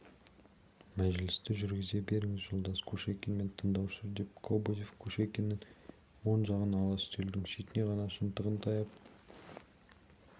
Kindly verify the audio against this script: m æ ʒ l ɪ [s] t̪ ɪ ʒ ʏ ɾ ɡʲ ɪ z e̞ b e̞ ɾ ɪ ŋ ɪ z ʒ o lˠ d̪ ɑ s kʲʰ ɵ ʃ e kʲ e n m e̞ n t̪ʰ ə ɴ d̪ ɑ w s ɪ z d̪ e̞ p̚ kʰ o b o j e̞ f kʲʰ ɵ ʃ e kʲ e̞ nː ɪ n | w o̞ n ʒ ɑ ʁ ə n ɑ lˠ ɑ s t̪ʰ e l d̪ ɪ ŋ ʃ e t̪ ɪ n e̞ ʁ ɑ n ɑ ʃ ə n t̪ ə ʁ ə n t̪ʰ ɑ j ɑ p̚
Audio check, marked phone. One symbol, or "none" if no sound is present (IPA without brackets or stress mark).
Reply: s